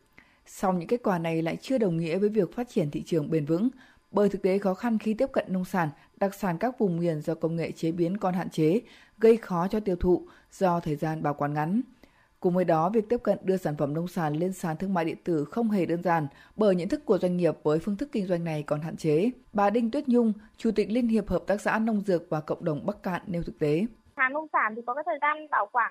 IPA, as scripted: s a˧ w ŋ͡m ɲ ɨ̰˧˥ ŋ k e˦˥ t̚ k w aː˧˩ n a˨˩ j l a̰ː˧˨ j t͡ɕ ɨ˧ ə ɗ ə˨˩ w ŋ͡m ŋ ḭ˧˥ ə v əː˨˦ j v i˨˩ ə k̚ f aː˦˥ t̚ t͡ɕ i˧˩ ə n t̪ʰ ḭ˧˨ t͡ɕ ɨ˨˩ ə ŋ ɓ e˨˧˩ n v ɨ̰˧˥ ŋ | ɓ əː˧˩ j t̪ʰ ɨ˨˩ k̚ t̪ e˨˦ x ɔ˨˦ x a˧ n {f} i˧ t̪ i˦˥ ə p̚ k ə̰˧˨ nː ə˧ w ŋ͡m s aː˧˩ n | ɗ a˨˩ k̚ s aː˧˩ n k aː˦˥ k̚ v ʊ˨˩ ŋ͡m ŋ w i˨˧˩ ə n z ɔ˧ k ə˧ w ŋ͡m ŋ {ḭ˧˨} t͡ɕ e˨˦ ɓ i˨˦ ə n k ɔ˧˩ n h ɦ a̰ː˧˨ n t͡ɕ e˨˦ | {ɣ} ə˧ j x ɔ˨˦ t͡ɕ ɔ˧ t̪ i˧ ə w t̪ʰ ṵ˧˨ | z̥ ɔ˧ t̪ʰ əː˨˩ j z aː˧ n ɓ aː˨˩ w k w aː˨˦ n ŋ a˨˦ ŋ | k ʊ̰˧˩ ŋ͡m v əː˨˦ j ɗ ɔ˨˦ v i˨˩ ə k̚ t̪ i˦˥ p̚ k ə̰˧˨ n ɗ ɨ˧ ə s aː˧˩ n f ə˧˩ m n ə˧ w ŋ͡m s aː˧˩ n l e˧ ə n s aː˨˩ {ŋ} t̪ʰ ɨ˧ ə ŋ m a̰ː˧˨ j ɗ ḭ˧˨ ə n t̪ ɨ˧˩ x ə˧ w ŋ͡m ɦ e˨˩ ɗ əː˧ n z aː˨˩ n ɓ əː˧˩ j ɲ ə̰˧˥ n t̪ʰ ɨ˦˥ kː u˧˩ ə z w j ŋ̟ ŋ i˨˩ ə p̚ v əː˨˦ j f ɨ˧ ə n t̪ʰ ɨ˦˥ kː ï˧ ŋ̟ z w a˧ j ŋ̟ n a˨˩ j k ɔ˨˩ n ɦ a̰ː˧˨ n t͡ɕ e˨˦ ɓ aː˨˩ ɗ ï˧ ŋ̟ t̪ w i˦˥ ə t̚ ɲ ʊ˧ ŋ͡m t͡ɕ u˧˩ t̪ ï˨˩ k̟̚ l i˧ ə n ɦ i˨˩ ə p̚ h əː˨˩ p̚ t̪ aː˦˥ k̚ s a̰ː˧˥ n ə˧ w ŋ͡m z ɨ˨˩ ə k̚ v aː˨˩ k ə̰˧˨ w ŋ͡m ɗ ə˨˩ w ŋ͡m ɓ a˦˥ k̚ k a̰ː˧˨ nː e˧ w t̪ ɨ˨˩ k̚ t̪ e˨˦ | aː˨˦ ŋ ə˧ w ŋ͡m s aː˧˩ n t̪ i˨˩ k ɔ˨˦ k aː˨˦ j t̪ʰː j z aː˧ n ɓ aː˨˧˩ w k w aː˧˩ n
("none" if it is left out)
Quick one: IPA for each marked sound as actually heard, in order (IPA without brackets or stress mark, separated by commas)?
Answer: x, ḛ˧˨, ɣ, n